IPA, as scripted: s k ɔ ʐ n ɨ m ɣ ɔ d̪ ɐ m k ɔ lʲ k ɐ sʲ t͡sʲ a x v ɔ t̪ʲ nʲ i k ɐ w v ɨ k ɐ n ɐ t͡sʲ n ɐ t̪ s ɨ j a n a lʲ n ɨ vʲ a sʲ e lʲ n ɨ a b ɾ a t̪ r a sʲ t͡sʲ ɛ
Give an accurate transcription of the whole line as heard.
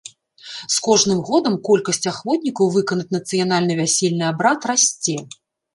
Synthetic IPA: s k ɔ ʐ n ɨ m ɣ ɔ d̪ ɐ m k ɔ lʲ k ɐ sʲ t͡sʲ a x v ɔ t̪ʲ nʲ i k ɐ w v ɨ k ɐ n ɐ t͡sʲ n ɐ t̪ s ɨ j a n a lʲ n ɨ vʲ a sʲ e lʲ n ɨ a b ɾ a t̪ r a sʲ t͡sʲ ɛ